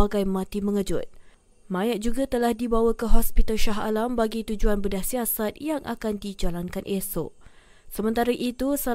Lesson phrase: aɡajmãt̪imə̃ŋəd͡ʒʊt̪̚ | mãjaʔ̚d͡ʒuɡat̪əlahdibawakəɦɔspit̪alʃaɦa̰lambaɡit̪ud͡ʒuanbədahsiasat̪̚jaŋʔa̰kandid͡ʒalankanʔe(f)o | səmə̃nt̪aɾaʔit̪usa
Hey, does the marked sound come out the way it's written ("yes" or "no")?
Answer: no